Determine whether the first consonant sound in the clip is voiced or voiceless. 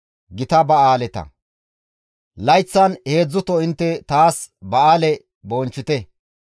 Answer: voiced